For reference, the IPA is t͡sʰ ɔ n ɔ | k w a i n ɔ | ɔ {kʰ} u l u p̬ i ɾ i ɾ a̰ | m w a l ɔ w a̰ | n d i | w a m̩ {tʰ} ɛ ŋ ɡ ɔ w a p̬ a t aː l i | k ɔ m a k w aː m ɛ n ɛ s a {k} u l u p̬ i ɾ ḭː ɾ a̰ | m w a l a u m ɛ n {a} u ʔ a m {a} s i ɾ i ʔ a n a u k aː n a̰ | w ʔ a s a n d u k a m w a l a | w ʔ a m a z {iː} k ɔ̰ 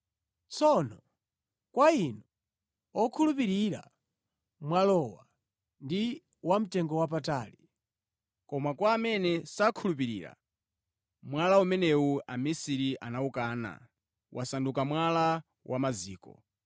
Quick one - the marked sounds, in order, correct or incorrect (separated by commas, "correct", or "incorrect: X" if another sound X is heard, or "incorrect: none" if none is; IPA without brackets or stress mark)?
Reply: correct, incorrect: t, incorrect: kʰ, incorrect: ɛ, incorrect: i, correct